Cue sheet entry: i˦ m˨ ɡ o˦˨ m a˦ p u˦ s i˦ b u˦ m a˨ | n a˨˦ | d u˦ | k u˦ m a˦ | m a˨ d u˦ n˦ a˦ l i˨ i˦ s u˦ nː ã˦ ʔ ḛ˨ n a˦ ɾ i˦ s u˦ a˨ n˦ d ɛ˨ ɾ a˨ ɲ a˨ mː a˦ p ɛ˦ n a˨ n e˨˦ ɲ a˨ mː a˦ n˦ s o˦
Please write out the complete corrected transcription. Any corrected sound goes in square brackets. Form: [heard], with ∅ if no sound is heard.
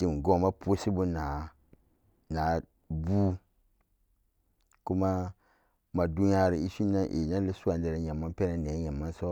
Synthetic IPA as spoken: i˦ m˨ ɡ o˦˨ m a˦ p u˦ s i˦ b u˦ [n] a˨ | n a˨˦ | [b] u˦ | k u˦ m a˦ | m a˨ d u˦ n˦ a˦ [ɾ] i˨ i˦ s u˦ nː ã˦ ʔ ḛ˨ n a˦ [l] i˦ s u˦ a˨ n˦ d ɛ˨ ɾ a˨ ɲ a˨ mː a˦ p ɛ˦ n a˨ n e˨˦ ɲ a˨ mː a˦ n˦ s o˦